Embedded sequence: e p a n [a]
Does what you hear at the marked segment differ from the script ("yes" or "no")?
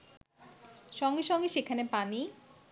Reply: yes